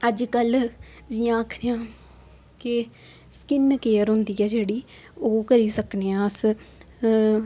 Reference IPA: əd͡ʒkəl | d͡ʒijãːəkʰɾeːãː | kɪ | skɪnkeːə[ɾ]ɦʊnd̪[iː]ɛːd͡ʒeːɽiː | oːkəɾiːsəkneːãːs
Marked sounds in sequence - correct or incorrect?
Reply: correct, correct

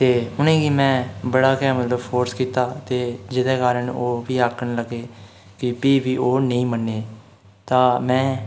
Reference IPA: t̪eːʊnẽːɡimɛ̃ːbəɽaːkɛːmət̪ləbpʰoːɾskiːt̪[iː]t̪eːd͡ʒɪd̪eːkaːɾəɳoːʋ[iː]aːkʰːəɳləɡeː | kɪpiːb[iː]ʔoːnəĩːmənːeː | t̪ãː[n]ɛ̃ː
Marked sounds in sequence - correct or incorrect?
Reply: incorrect: aː, correct, correct, incorrect: m

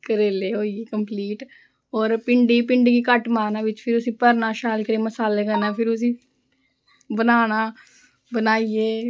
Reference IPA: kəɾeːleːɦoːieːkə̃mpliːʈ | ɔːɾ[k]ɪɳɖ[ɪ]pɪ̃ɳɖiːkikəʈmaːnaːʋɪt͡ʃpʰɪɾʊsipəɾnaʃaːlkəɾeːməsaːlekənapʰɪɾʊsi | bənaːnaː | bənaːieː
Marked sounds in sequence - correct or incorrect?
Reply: incorrect: p, incorrect: i

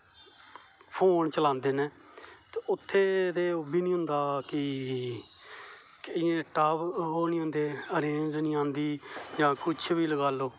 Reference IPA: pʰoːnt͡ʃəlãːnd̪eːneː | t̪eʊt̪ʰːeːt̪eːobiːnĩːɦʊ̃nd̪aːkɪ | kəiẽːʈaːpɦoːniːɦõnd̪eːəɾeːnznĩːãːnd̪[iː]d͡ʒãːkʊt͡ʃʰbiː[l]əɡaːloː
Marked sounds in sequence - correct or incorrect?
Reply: correct, correct

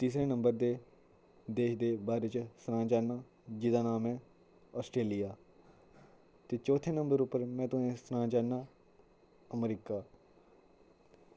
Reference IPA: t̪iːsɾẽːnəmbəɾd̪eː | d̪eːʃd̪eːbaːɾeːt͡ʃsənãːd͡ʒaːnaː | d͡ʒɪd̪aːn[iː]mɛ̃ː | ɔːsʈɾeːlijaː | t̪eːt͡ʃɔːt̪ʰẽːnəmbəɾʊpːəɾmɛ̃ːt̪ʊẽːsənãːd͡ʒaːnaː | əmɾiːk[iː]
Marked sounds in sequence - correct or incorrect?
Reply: incorrect: aː, incorrect: aː

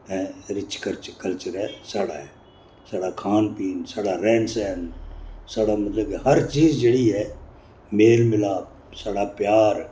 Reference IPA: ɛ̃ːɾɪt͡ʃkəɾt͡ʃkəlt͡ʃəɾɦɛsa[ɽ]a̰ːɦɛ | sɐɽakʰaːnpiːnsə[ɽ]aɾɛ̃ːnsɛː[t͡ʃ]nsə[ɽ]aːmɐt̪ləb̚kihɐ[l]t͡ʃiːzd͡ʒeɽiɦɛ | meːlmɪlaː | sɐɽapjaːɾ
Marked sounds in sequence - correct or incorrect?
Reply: correct, correct, incorrect: none, correct, incorrect: ɾ

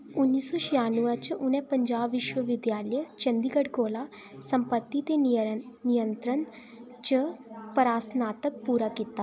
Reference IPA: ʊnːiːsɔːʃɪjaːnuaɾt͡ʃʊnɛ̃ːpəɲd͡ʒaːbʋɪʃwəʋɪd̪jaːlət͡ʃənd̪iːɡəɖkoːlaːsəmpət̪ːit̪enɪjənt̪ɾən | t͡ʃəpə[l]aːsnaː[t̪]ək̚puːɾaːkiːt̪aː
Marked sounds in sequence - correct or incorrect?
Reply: incorrect: ɾ, correct

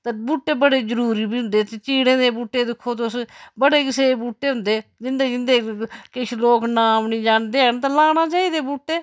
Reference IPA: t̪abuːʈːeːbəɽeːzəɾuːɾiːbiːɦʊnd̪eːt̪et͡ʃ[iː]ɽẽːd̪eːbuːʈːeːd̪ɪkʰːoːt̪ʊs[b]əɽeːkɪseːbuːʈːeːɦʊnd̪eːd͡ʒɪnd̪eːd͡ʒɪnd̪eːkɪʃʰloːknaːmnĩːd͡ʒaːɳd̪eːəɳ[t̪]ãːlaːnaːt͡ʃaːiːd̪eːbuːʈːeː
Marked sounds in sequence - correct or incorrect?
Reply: correct, correct, correct

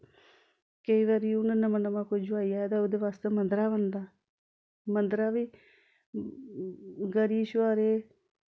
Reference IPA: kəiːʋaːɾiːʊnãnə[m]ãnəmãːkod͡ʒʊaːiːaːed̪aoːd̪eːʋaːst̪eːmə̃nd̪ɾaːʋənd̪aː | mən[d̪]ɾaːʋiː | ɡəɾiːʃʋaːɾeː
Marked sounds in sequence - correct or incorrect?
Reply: correct, correct

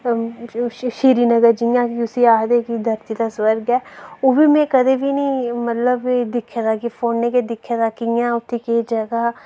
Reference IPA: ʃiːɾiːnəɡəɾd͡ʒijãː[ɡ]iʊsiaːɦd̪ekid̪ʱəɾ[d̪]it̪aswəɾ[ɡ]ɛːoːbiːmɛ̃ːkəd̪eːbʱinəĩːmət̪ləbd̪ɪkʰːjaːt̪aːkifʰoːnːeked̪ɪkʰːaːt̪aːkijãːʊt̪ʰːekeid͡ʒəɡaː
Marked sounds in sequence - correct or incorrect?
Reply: incorrect: k, incorrect: t̪, correct

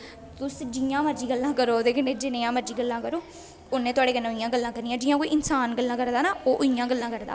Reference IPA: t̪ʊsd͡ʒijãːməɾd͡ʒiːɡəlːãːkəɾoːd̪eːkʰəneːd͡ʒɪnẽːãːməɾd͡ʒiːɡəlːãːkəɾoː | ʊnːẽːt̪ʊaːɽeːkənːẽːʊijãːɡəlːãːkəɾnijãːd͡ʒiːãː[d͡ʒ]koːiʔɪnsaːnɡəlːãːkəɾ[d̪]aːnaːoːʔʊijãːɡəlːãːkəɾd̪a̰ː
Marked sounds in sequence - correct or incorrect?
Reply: incorrect: none, correct

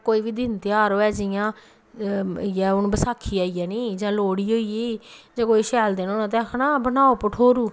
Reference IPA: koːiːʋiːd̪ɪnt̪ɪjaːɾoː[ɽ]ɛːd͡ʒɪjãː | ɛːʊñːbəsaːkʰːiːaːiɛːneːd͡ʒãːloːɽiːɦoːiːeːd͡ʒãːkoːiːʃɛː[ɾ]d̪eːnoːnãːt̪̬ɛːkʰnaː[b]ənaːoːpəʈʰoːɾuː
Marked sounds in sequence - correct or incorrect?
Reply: incorrect: none, incorrect: l, correct

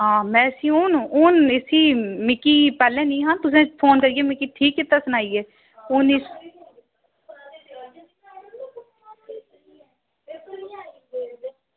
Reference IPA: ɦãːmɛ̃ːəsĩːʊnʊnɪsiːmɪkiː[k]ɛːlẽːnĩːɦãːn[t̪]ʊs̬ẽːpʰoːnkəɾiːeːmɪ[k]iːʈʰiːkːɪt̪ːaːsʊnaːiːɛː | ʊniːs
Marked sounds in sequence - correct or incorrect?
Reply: incorrect: p, correct, correct

